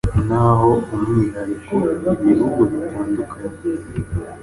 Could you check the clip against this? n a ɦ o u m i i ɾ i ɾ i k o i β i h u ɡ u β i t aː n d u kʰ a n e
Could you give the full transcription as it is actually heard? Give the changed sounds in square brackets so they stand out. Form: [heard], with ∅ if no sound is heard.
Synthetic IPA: n a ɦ o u m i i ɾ [a] ɾ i k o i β i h u ɡ u β i t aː n d u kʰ a [ɲ] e